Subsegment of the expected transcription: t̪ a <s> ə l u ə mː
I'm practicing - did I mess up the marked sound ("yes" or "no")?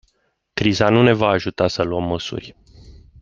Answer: no